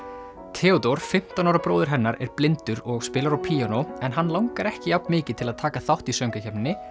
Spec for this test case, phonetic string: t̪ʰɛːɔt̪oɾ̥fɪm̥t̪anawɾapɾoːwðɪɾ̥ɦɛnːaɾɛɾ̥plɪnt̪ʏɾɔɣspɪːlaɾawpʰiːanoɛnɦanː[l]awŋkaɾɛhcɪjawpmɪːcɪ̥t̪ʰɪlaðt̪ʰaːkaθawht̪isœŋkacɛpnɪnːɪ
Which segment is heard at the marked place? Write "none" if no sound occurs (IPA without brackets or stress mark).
l